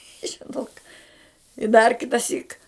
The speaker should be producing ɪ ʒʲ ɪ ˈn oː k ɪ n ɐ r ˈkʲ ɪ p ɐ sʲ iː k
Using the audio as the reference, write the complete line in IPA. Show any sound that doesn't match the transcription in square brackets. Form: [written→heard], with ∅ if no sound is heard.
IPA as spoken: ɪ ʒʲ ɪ ˈn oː k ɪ [n→d] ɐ r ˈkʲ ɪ [p→t] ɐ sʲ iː k

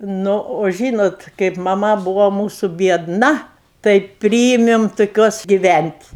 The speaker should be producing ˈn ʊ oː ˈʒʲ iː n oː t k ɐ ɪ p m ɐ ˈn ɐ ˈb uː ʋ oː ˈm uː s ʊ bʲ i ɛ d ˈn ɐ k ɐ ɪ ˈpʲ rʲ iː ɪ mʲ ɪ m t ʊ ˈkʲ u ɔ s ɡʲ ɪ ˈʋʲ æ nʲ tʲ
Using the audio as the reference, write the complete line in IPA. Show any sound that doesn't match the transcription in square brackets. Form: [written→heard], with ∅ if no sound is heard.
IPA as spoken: ˈn ʊ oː ˈʒʲ iː n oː t k ɐ ɪ p m ɐ [ˈn→ˈm] ɐ ˈb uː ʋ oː ˈm uː s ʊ bʲ i ɛ d ˈn ɐ [k→t] ɐ ɪ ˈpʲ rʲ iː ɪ mʲ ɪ m t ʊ ˈkʲ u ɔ s ɡʲ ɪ ˈʋʲ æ nʲ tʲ

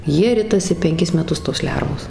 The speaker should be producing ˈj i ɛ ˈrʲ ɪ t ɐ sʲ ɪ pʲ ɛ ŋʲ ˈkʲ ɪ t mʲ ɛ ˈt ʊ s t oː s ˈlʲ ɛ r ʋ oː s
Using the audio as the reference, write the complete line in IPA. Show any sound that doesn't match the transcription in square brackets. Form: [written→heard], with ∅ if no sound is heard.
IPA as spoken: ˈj i ɛ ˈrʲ ɪ t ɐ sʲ ɪ pʲ ɛ ŋʲ ˈkʲ ɪ [t→s] mʲ ɛ ˈt ʊ s t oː s ˈlʲ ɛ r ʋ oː s

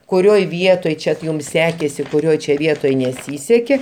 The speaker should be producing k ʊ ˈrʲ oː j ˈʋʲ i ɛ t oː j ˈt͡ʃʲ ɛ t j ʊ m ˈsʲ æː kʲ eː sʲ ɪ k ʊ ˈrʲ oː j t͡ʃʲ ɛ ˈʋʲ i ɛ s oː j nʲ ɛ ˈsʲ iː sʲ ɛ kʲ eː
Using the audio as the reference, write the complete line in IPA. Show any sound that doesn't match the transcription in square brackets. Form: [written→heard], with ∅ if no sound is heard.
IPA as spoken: k ʊ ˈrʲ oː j ˈʋʲ i ɛ t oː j ˈt͡ʃʲ ɛ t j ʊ m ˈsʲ æː kʲ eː sʲ ɪ k ʊ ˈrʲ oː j t͡ʃʲ ɛ ˈʋʲ i ɛ [s→t] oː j nʲ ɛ ˈsʲ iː sʲ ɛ kʲ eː

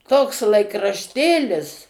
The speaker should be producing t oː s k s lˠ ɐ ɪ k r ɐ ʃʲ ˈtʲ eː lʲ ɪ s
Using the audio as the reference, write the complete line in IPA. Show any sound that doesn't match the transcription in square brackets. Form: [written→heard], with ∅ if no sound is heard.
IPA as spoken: t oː [s→∅] k s lˠ ɐ ɪ k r ɐ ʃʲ ˈtʲ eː lʲ ɪ s

